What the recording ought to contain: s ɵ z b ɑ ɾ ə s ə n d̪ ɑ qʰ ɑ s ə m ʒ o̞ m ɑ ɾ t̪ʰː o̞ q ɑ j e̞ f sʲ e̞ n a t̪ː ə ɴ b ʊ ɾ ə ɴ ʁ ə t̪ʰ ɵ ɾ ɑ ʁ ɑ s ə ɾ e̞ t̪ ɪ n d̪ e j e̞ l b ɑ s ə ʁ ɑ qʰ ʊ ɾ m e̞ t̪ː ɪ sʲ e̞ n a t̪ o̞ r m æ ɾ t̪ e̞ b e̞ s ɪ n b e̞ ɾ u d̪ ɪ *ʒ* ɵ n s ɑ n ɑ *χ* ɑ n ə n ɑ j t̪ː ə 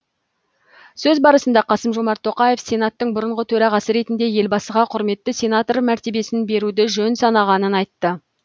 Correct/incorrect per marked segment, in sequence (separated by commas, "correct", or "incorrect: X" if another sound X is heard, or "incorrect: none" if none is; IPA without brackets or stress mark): correct, incorrect: ʁ